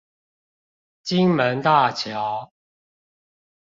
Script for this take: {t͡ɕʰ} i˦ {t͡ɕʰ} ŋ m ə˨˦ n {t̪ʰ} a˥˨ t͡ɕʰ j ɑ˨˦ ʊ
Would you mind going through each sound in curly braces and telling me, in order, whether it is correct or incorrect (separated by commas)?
incorrect, incorrect, incorrect